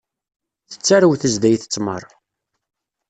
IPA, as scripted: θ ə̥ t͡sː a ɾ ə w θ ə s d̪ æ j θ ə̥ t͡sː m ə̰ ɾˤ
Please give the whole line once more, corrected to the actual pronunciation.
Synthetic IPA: θ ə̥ t͡sː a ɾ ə w θ ə z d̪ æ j θ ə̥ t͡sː m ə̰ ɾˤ